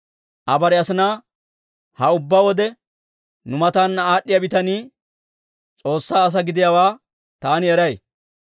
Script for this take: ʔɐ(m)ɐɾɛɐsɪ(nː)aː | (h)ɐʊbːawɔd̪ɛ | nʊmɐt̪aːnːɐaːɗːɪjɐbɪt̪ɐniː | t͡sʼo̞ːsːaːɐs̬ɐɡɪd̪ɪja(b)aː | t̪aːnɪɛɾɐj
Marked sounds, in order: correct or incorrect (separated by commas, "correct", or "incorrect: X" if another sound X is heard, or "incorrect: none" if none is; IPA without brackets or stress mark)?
incorrect: b, incorrect: n, correct, incorrect: w